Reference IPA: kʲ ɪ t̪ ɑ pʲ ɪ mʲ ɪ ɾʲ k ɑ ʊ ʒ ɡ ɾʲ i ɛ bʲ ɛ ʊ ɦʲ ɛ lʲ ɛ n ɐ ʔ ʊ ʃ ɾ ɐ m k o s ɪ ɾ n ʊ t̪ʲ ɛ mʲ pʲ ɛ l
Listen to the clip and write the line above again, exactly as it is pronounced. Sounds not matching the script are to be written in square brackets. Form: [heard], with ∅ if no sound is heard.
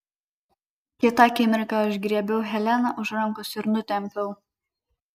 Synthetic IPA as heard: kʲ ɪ t̪ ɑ [kʲ] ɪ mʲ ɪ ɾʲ k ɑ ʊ ʒ ɡ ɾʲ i ɛ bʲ ɛ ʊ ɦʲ ɛ lʲ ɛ n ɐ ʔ ʊ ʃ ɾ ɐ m k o s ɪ ɾ n ʊ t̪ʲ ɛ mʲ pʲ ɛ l